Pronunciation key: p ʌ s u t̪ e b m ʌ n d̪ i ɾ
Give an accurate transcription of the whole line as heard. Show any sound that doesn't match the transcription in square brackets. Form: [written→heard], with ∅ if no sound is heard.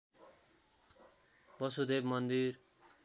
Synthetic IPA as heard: [p→b] ʌ s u [t̪→d̪] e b m ʌ n d̪ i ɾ